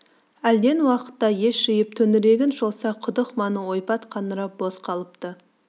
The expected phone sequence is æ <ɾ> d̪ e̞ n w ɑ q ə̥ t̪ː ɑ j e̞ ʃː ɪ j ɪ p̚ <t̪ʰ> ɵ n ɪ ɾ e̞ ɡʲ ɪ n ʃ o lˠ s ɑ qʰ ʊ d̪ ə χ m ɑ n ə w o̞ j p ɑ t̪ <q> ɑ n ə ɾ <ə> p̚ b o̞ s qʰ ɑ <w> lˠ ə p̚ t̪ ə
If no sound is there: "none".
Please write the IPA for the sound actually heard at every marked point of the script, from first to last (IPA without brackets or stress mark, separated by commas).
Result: l, t̪ʰ, qʰ, ɑ, none